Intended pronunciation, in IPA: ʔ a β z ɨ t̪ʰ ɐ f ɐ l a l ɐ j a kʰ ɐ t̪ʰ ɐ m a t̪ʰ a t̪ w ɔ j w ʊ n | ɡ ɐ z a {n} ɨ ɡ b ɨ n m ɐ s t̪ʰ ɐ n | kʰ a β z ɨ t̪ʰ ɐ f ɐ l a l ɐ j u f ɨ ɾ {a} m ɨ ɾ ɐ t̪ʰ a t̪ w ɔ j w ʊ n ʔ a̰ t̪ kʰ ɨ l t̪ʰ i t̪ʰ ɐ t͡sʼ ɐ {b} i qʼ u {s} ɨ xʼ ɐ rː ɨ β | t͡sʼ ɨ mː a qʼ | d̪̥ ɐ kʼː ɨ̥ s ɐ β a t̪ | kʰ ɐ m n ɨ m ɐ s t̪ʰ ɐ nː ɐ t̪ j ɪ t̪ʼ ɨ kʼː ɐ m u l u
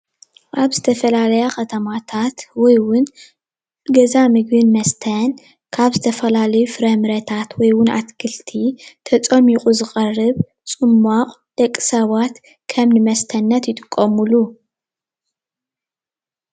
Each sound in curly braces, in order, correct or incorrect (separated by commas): incorrect, incorrect, incorrect, incorrect